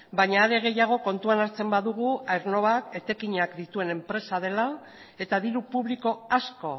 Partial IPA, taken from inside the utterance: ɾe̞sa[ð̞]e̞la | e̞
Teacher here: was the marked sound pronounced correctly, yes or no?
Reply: yes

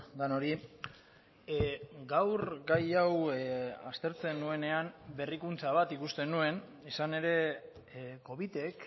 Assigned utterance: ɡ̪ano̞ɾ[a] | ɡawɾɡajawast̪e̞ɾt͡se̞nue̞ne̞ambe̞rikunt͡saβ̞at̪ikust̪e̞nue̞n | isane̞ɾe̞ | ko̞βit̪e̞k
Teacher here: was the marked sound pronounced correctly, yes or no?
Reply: no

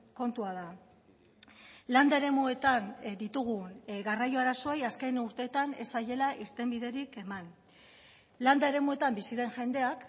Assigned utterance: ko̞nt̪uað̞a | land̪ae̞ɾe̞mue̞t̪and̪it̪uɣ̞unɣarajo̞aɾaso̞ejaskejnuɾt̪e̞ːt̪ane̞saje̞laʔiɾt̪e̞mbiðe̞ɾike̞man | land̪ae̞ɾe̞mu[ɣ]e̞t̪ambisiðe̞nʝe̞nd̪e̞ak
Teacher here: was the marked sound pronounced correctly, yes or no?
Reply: no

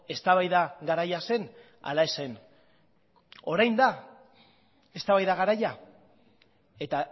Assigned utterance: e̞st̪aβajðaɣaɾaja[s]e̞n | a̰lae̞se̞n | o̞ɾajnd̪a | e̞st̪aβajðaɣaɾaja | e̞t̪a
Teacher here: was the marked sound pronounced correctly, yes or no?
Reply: yes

